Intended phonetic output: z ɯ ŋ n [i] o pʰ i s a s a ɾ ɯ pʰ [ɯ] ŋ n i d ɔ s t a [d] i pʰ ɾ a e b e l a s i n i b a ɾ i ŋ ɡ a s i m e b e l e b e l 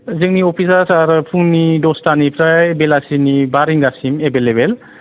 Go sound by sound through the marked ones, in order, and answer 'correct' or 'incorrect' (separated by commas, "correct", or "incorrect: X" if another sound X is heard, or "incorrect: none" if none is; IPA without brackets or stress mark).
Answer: correct, incorrect: u, incorrect: n